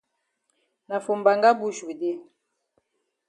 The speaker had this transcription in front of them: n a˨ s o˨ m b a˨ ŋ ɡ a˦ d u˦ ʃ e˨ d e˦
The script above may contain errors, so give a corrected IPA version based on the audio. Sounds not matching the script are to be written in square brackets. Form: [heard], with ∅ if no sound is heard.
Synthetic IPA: n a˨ [f] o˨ m b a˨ ŋ ɡ a˦ [b] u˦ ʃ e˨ d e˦